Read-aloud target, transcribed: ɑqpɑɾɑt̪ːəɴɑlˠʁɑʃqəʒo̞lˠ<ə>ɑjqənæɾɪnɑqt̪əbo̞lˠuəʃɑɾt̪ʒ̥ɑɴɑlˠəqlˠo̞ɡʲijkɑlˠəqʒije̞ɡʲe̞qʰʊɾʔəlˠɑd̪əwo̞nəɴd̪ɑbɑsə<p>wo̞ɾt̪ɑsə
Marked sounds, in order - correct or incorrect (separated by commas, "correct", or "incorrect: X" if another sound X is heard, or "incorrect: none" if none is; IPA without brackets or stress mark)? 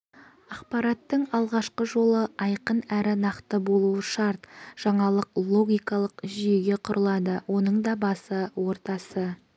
correct, incorrect: none